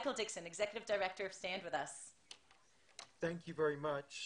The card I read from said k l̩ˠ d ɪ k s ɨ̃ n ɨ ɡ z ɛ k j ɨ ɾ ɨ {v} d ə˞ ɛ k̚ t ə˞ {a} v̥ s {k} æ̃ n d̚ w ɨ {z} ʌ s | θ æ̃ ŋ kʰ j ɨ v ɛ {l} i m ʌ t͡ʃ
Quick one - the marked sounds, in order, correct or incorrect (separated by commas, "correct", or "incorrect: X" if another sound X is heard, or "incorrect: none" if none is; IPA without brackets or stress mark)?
correct, incorrect: ʌ, incorrect: t, incorrect: ð, incorrect: ɹ